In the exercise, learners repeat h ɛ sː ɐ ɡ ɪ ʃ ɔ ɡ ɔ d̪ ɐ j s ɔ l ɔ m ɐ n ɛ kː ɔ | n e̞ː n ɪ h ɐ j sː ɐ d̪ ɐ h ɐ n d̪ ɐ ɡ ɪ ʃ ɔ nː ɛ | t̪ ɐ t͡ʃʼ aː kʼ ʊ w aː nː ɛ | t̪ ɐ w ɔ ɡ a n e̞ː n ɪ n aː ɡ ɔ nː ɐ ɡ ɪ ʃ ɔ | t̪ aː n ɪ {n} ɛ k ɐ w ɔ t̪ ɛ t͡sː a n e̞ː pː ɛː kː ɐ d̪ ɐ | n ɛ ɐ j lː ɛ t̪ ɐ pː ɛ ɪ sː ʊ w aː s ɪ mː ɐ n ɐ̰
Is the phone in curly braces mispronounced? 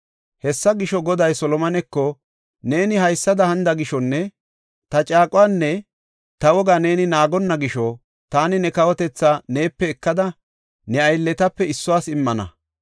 no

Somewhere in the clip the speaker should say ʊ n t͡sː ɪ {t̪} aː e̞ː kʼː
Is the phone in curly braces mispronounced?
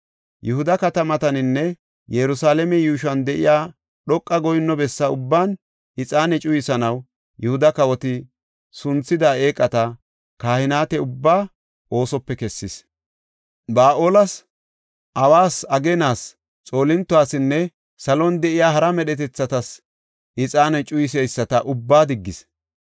yes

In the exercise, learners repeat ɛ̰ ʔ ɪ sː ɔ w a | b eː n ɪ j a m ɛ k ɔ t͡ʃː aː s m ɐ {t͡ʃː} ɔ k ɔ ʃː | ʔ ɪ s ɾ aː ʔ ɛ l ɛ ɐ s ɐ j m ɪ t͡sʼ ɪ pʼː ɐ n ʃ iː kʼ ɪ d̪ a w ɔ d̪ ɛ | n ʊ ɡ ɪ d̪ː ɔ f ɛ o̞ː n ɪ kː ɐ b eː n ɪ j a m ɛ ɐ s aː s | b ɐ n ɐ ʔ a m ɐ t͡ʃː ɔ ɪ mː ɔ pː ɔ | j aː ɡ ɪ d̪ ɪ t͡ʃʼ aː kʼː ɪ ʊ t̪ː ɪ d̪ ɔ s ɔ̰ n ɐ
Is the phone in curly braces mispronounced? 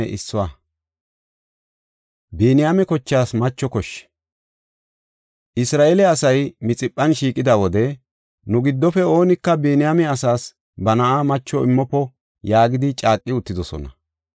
no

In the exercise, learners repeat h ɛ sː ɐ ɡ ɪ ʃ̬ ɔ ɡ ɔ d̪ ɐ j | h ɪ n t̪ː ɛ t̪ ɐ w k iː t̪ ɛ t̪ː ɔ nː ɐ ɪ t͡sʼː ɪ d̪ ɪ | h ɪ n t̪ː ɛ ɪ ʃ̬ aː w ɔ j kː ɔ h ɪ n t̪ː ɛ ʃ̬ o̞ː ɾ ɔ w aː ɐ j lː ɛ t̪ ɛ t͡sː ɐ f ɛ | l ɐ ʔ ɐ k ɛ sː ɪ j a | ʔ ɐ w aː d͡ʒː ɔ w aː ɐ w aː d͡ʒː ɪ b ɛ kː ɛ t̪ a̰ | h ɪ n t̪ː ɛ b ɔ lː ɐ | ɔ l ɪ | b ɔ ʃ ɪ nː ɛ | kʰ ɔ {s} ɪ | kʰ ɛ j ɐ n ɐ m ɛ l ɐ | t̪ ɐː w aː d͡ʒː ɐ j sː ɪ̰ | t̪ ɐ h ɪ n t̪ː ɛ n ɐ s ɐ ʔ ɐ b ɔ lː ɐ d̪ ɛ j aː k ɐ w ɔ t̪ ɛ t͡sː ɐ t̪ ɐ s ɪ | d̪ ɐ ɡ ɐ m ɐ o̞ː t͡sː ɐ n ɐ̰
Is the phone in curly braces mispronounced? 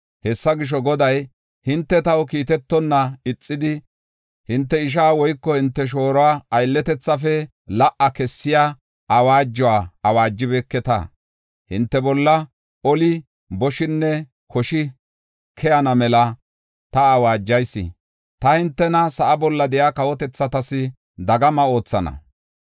yes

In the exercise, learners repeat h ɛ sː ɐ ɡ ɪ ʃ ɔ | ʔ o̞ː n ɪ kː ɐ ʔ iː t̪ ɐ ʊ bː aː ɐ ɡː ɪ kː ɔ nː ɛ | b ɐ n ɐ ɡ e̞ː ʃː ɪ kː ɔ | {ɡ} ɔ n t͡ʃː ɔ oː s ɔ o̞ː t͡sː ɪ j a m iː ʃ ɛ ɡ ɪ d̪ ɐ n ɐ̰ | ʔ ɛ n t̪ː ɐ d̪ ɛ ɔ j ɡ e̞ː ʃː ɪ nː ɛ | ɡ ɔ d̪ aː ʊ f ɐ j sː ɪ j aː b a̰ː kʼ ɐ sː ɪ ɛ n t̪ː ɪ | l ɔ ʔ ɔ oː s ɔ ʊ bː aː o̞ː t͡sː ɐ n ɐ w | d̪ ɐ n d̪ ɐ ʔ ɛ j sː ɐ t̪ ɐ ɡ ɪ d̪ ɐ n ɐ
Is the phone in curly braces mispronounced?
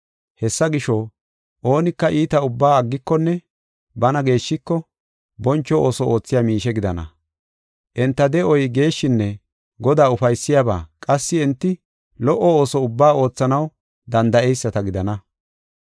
yes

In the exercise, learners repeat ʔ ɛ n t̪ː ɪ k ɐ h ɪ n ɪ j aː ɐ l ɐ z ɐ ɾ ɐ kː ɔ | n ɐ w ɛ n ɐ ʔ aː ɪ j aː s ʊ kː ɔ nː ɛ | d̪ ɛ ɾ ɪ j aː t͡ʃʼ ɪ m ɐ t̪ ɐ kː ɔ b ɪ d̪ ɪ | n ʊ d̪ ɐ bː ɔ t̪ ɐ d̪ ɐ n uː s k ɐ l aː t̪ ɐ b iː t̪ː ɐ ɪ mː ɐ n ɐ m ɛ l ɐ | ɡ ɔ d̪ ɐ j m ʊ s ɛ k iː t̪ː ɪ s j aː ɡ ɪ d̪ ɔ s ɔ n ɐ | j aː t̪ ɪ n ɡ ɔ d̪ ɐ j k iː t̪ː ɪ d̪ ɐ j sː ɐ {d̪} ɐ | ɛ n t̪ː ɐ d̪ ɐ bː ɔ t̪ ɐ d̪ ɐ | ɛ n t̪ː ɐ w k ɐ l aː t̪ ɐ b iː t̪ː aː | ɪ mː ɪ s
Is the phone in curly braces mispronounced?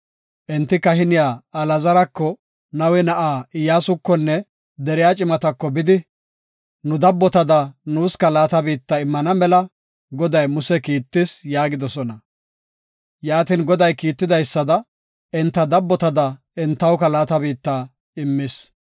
no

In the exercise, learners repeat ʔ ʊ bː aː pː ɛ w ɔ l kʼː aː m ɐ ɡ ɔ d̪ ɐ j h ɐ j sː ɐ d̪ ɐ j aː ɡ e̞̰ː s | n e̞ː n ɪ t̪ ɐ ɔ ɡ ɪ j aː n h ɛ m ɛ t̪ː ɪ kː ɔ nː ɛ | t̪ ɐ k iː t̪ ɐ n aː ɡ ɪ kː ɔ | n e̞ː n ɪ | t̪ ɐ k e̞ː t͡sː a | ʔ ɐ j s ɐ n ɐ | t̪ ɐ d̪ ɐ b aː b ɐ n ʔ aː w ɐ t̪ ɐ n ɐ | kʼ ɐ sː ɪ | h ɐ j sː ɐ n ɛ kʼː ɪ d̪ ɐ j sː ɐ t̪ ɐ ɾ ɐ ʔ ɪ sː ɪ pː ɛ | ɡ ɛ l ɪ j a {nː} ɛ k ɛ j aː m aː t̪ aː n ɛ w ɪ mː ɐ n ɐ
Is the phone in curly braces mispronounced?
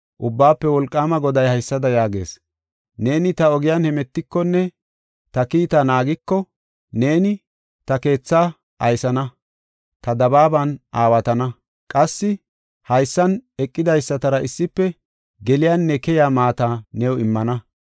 no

